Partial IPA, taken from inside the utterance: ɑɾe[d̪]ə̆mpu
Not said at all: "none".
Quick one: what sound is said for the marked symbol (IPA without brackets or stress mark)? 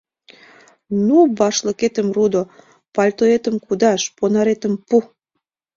t̪